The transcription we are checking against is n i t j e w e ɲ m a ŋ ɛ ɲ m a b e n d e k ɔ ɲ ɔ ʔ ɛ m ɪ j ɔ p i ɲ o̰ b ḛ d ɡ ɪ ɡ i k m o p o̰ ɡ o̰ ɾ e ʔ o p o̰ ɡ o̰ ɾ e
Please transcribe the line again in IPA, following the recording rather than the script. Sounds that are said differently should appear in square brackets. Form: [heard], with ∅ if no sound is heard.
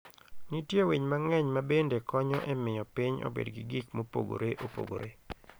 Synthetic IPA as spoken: n i t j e w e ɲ m a ŋ ɛ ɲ m a b e n d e k ɔ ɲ ɔ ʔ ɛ m ɪ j ɔ p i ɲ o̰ b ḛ d ɡ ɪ ɡ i k m o p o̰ ɡ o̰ ɾ e ʔ o p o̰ ɡ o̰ ɾ e